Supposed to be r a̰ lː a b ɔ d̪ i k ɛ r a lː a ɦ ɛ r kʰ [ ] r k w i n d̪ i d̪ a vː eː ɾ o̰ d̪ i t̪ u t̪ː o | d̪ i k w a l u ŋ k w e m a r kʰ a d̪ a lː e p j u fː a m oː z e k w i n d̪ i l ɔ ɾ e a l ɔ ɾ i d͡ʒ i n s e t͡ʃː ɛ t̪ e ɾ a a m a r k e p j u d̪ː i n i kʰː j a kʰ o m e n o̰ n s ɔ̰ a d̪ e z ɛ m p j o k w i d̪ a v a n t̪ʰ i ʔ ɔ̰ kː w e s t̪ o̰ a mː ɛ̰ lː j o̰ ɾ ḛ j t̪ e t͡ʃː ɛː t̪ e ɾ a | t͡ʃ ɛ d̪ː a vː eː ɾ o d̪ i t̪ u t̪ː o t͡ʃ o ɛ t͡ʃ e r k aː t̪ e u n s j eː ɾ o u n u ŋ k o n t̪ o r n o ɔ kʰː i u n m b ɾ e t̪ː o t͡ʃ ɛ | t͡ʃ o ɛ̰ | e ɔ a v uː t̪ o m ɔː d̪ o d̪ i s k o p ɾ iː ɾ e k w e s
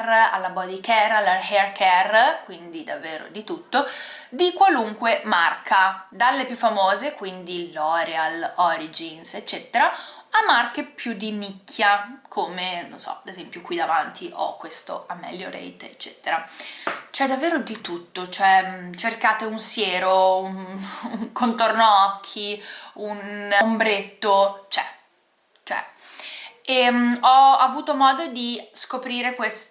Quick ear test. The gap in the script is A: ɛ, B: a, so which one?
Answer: A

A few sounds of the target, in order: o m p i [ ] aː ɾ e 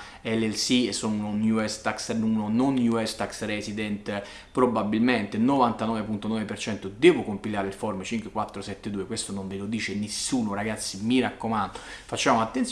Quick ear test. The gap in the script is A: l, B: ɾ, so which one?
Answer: A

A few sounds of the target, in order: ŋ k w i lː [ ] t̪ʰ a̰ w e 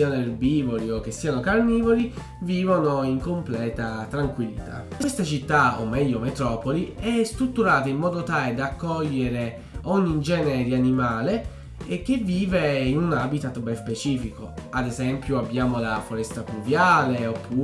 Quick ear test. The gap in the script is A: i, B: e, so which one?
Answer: A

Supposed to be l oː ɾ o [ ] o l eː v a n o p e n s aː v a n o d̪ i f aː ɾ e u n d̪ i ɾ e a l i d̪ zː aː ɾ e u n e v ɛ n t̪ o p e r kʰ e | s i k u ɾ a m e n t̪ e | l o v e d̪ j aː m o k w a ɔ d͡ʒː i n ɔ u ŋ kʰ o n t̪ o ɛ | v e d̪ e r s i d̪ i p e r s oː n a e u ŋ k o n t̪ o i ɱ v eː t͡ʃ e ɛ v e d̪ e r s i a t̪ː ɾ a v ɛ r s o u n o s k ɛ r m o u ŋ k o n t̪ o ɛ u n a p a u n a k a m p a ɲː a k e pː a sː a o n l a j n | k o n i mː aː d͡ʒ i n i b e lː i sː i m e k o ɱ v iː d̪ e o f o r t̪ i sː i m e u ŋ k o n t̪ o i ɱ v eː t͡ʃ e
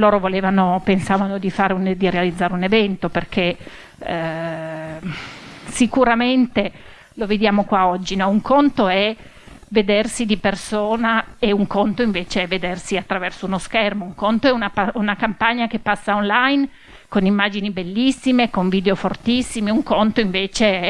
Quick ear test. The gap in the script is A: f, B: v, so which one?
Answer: B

